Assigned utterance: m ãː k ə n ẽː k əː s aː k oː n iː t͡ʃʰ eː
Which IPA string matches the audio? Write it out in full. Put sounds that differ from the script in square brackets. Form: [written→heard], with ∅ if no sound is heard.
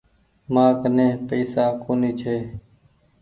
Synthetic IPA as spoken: m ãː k ə n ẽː [k→p] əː s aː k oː n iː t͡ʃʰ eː